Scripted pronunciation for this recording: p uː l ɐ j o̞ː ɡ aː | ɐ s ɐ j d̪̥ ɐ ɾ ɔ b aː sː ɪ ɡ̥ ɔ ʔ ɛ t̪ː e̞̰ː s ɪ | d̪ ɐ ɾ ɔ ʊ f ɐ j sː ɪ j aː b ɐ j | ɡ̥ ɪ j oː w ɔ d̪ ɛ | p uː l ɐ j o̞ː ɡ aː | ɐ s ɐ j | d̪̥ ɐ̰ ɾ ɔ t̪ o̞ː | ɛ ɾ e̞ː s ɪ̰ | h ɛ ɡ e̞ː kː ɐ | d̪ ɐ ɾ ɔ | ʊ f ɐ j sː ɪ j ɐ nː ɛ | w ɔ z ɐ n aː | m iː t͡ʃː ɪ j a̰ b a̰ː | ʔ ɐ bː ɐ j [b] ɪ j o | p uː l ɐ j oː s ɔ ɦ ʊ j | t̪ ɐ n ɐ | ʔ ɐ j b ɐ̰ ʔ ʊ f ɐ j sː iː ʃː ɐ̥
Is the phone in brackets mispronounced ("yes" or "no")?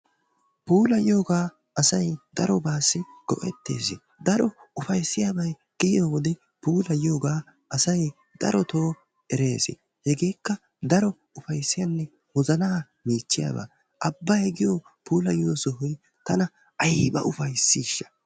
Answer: yes